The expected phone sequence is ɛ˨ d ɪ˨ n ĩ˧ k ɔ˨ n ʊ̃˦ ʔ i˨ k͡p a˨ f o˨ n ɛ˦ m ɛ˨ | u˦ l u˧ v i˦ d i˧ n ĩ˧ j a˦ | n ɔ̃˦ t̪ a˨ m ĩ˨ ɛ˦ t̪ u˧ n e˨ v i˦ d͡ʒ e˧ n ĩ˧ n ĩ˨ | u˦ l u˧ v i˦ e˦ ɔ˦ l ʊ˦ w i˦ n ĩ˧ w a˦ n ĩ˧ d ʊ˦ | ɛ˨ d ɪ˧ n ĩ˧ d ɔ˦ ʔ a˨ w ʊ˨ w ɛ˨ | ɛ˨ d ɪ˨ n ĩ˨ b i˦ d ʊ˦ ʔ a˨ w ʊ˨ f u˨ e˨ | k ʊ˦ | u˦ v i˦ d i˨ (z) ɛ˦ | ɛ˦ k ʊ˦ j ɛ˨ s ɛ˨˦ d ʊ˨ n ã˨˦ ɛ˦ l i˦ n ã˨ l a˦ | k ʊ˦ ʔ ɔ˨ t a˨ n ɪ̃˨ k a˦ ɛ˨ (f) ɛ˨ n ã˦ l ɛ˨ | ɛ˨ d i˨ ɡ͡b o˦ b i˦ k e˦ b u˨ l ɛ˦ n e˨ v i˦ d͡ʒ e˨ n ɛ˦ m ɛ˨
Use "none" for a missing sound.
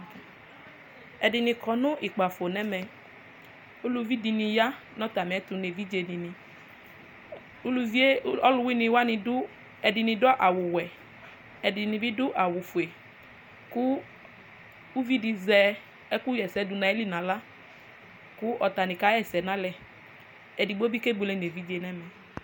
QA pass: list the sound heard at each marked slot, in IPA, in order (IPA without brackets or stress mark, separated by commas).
z, s